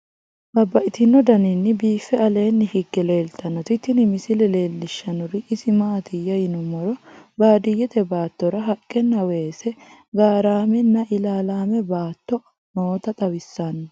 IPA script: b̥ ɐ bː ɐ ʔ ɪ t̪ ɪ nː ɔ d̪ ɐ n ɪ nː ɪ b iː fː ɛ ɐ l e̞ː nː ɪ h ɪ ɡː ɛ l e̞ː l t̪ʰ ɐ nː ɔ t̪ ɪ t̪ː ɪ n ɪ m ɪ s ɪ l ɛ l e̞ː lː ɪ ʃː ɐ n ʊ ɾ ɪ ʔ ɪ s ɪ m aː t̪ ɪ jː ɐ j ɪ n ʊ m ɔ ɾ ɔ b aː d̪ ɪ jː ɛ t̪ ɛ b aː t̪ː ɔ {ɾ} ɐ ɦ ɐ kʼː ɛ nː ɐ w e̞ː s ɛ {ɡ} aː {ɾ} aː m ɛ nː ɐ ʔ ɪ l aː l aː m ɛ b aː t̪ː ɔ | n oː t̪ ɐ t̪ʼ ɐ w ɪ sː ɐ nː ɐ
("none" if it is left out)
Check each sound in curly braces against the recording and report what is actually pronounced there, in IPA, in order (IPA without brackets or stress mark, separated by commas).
ɾ, ɡ, ɾ